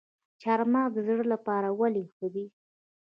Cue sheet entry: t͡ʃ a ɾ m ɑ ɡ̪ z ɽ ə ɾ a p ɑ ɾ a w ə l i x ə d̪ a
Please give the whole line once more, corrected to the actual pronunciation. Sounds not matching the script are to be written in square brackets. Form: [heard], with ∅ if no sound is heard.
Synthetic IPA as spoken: t͡ʃ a ɾ m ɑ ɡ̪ z ɽ ə [l] a p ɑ ɾ a w [a] l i x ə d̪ [i]